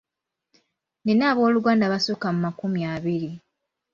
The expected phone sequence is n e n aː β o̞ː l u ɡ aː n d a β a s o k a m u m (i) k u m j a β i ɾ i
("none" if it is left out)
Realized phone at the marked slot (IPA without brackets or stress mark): a